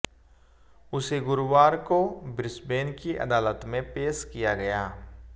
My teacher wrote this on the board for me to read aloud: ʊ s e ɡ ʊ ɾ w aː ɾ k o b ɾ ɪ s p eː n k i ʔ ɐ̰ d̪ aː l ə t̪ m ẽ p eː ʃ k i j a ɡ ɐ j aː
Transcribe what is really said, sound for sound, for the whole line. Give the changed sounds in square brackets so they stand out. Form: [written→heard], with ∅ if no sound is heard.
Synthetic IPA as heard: ʊ s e ɡ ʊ ɾ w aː ɾ k o b ɾ ɪ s [p→b] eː n k i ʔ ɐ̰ d̪ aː l ə t̪ m ẽ p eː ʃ k i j a ɡ ɐ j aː